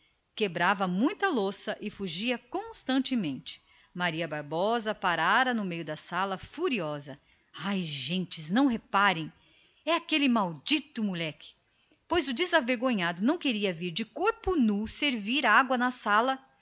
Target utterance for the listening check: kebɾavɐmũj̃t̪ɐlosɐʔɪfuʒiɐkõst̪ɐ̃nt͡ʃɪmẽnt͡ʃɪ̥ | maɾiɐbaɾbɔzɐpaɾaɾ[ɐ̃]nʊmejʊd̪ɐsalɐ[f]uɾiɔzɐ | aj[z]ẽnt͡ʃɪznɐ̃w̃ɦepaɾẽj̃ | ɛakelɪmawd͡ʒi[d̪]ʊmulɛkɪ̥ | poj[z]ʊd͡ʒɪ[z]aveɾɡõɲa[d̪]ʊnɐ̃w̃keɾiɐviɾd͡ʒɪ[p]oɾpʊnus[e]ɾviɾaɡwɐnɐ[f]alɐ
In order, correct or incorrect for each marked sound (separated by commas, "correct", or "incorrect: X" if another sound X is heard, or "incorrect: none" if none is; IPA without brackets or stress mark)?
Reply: incorrect: ɐ, correct, incorrect: ʒ, incorrect: t̪, correct, correct, correct, incorrect: k, correct, incorrect: s